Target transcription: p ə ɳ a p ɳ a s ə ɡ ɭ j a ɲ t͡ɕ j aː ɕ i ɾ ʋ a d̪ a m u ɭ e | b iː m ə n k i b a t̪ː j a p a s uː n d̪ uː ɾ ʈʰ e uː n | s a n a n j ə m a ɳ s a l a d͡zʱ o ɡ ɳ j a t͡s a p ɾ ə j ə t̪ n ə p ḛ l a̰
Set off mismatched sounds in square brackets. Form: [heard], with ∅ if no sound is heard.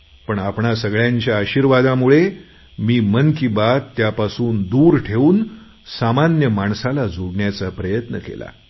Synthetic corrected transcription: p ə ɳ a p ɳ a s ə ɡ ɭ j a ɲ t͡ɕ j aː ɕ i ɾ ʋ a d̪ a m u ɭ e | [m] iː m ə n k i b a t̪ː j a p a s uː n d̪ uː ɾ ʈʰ e uː n | s a [m] a n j ə m a ɳ s a l a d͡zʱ o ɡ ɳ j a t͡s a p ɾ ə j ə t̪ n ə [k] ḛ l a̰